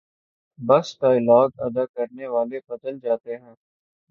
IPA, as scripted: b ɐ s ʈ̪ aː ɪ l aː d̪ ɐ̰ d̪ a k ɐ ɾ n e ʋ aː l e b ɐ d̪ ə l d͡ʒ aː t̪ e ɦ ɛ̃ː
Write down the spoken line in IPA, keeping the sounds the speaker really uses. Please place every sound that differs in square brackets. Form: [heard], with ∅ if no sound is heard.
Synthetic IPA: b ɐ s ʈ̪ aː ɪ l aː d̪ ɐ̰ d̪ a k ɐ ɾ n e ʋ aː l e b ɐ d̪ ə l d͡ʒ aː t̪ e ɦ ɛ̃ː